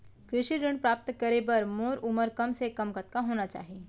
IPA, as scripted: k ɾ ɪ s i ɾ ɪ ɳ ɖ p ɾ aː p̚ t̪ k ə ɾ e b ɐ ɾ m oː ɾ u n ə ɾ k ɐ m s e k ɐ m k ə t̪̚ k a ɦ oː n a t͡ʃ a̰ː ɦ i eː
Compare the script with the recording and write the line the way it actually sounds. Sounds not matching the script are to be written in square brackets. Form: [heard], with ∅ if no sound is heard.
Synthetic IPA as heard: k ɾ ɪ [ʃ] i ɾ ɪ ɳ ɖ p ɾ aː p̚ t̪ k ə ɾ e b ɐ ɾ m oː ɾ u [m] ə ɾ k ɐ m s e k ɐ m k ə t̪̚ k a ɦ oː n a t͡ʃ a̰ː ɦ i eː